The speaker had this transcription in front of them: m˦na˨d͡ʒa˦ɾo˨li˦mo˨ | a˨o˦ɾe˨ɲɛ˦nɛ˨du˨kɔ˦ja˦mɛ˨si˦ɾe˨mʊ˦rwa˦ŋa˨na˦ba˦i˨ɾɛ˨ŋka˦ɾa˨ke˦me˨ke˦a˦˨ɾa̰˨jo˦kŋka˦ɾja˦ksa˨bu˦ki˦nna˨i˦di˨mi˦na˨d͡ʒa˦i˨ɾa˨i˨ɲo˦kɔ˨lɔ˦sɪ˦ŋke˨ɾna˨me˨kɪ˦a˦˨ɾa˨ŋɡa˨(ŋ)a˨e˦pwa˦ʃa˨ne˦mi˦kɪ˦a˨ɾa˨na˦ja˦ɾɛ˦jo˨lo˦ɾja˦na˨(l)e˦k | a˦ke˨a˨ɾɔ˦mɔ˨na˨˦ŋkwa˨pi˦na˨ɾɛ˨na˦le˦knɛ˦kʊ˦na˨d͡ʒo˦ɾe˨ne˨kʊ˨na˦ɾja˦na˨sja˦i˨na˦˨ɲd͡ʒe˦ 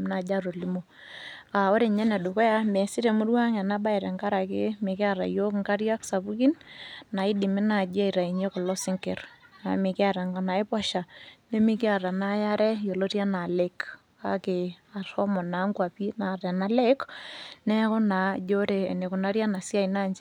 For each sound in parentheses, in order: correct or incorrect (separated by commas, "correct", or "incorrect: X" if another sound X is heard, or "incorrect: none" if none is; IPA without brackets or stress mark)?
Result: incorrect: n, correct